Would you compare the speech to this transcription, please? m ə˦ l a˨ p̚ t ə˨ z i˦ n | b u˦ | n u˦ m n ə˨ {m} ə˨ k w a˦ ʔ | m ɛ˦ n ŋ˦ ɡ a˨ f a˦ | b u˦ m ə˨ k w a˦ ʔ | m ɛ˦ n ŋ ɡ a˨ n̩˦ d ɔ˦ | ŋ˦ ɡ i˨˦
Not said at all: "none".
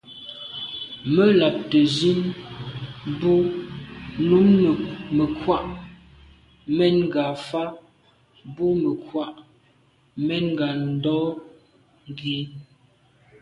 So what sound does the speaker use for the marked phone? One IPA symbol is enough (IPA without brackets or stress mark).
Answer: m